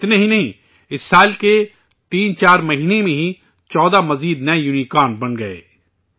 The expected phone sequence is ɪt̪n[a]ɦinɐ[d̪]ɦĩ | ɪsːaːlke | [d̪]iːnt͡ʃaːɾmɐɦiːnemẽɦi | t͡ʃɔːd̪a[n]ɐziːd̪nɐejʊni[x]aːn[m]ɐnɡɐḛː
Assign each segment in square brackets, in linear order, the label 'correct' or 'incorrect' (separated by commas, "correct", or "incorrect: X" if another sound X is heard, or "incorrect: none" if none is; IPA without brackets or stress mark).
incorrect: e, incorrect: none, incorrect: t̪, incorrect: m, incorrect: k, incorrect: b